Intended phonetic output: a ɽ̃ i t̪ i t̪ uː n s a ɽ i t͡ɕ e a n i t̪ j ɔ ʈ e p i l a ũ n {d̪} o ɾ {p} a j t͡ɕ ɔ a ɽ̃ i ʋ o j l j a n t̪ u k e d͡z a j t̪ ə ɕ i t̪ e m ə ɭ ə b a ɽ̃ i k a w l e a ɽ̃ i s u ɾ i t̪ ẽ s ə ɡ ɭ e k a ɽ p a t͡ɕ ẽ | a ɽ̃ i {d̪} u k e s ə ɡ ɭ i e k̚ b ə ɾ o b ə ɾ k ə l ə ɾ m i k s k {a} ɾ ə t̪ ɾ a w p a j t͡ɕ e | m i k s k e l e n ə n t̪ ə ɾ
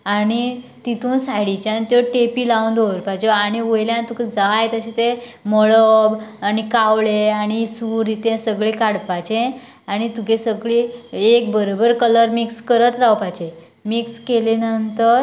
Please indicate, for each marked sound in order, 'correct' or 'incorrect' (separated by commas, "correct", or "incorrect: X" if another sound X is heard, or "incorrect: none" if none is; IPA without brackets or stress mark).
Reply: correct, correct, incorrect: t̪, incorrect: ə